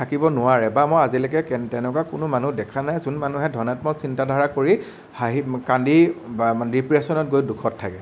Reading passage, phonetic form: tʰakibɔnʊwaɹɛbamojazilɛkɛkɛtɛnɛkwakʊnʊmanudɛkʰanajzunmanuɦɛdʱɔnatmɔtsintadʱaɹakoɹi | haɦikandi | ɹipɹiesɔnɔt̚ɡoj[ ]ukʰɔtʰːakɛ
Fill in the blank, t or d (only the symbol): d